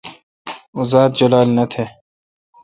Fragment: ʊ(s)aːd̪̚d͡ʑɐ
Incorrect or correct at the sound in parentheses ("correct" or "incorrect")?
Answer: incorrect